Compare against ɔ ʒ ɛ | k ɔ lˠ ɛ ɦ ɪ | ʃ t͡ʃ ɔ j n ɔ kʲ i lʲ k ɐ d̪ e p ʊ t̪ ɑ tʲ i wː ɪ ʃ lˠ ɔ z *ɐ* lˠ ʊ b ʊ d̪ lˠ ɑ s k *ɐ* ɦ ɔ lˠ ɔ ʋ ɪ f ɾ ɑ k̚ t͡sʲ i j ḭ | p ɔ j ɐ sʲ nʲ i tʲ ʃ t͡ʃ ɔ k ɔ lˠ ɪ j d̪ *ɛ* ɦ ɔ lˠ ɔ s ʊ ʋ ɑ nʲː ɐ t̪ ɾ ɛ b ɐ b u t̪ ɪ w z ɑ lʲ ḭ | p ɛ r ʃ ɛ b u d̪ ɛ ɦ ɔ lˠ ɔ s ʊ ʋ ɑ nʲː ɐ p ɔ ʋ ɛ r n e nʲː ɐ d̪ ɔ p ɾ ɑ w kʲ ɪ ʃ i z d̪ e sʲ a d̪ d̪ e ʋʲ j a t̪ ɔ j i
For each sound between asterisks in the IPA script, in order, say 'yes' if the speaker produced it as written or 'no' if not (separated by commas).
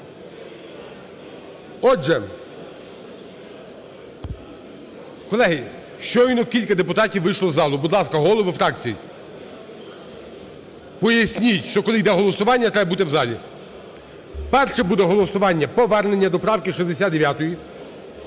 no, yes, yes